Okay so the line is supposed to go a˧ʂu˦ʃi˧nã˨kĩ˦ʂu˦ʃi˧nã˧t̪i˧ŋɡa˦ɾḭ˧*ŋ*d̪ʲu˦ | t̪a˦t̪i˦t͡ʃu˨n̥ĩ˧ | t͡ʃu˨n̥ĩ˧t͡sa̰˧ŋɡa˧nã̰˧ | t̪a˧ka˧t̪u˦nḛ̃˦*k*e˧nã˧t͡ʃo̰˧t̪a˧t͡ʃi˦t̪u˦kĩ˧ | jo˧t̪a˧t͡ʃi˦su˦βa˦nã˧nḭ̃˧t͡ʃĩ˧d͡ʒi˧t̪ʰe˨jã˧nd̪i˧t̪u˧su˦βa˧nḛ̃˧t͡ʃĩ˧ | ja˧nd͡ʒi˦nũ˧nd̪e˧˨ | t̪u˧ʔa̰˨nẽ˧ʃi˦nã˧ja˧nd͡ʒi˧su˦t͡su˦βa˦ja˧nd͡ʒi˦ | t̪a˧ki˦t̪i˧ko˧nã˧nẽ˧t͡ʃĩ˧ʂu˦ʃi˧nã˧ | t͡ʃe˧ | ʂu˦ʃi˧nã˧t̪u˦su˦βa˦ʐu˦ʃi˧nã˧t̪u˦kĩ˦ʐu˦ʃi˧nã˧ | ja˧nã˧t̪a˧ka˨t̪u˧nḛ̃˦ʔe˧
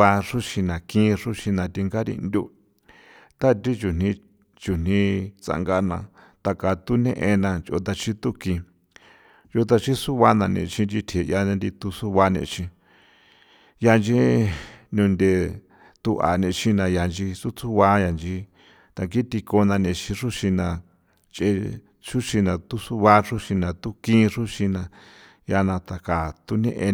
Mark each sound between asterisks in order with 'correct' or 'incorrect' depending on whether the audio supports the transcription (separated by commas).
incorrect, incorrect